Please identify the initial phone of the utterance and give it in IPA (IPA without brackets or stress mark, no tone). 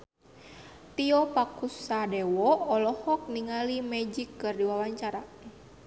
t̪